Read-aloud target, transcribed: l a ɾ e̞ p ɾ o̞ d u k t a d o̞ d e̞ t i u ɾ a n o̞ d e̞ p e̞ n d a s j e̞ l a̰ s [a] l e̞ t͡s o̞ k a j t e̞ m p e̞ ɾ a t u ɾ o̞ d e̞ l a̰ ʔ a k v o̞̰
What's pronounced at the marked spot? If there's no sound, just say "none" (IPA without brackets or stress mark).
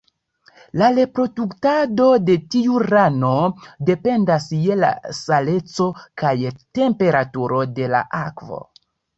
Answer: a